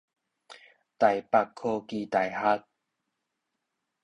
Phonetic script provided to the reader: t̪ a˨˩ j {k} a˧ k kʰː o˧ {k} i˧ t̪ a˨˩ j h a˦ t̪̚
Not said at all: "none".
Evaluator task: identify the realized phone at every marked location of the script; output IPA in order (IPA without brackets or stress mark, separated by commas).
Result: p, k